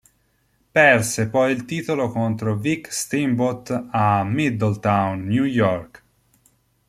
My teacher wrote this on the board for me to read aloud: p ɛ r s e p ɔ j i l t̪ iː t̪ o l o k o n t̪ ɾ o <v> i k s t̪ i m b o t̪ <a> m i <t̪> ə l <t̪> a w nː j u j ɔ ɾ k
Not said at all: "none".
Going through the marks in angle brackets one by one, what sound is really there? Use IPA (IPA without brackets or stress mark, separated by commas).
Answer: v, a, d̪, t̪